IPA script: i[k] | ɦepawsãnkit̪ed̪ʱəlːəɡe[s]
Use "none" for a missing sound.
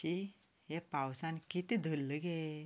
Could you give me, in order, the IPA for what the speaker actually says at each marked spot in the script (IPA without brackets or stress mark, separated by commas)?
none, none